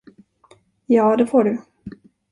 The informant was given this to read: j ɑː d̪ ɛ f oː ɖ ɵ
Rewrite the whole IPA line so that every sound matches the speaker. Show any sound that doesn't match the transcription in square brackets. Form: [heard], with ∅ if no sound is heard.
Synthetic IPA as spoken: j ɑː d̪ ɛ f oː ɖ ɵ